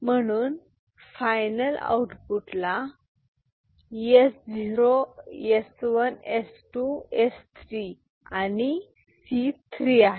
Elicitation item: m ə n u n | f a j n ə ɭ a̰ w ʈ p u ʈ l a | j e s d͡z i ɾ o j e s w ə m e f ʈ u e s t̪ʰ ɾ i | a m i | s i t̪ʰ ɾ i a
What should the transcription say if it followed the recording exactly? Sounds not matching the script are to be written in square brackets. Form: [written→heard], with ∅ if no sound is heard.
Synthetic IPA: m ə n u n | f a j n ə [ɭ→l] a̰ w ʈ p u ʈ l a | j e s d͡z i ɾ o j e s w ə [m→n] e [f→s] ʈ u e s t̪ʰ ɾ i | a [m→n] i | s i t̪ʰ ɾ i a

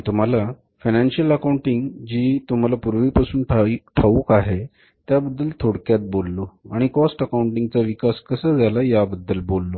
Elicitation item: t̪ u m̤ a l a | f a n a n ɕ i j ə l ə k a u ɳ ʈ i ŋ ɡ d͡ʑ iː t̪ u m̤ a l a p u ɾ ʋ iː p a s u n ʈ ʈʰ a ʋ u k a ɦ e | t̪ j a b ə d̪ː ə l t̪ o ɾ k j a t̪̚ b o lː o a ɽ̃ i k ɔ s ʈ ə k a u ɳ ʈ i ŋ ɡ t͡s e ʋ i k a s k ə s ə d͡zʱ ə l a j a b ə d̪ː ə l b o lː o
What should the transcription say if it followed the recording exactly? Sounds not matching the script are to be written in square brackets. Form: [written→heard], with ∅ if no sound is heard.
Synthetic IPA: t̪ u m̤ a l a | f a n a n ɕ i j ə l ə k a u ɳ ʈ i ŋ ɡ d͡ʑ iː t̪ u m̤ a l a p u ɾ ʋ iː p a s [u→uː] n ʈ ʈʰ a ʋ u k a ɦ e | t̪ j a b ə d̪ː ə l [t̪→t̪ʰ] o [ɾ→ɽ] k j a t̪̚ b o lː o a ɽ̃ i k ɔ s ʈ ə k a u ɳ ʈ i ŋ ɡ t͡s [e→a] ʋ i k a s k ə s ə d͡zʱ [ə→a] l a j a b ə d̪ː ə l b o lː o

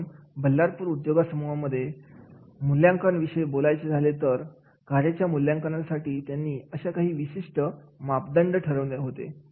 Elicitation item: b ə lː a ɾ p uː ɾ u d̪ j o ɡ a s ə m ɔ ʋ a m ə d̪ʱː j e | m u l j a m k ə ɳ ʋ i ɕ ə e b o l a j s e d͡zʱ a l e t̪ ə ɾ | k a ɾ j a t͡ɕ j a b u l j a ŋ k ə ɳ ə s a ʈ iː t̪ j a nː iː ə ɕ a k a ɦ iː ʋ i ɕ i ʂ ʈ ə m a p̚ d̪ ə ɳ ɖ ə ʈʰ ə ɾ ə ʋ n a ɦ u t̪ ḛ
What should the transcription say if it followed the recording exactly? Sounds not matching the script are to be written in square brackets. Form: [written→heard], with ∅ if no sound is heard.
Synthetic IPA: b ə lː a ɾ p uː ɾ u d̪ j o ɡ a s ə m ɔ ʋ a m ə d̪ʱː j e | m u l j a [m→ŋ] k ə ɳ ʋ i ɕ ə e b o l a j [s→t͡s] e d͡zʱ a l e t̪ ə ɾ | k a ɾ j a t͡ɕ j a [b→m] u l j a ŋ k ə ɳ [ə→a] s a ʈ iː t̪ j a nː iː ə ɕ a k a ɦ iː ʋ i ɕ i ʂ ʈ ə m a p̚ d̪ ə ɳ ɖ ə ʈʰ ə ɾ ə ʋ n [a→e] ɦ [u→o] t̪ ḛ

